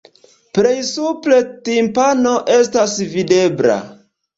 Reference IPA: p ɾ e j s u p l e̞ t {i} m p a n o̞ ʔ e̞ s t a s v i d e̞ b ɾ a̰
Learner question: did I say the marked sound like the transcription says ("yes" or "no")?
yes